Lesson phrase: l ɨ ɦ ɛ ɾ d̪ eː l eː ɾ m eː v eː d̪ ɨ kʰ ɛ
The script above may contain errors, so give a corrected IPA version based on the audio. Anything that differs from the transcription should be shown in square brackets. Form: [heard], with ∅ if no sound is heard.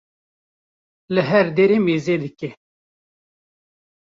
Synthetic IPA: l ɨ ɦ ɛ ɾ d̪ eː [ɾ] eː [∅] m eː [z] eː d̪ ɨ [k] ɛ